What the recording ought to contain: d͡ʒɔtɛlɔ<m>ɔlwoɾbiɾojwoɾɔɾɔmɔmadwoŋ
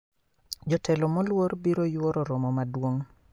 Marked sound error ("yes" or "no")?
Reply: no